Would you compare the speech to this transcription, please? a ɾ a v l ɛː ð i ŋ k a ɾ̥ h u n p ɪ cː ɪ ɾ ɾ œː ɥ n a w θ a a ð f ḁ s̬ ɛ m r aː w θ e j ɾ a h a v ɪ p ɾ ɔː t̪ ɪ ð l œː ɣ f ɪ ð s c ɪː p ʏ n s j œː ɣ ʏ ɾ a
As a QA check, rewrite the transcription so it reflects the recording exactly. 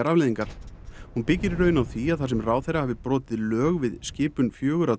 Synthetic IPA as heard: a ɾ a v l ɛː ð i ŋ k a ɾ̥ h u n p ɪ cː ɪ ɾ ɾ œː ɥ n a w θ i a ð θ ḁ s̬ ɛ m r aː w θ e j ɾ a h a v ɪ p ɾ ɔː t̪ ɪ ð l œː ɣ v ɪ ð s c ɪː p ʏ n f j œː ɣ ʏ ɾ a